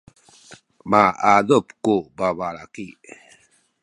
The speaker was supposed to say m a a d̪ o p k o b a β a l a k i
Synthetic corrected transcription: m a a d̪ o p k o b a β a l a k i